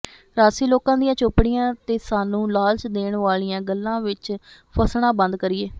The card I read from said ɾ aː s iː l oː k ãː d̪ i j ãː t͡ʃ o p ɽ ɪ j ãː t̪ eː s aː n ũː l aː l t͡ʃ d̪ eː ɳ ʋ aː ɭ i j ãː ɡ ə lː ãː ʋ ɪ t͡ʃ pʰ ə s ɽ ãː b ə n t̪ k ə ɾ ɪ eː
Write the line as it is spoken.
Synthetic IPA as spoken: ɾ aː s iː l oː k ãː d̪ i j ãː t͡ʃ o p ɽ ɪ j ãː t̪ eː s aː n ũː l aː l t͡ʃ d̪ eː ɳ ʋ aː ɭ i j ãː ɡ ə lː ãː ʋ ɪ t͡ʃ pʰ ə s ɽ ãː b ə n d̪ k ə ɾ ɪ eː